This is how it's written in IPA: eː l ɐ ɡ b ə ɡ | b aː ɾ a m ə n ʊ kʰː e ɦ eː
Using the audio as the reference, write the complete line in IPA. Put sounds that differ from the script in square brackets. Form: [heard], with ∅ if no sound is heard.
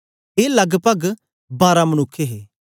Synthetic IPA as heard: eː l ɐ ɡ [p] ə ɡ | b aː ɾ a m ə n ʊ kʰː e ɦ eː